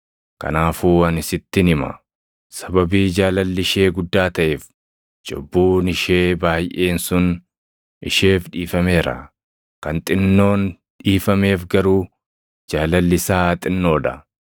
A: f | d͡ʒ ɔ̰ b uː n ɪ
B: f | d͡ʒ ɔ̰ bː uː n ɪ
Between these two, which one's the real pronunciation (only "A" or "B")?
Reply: B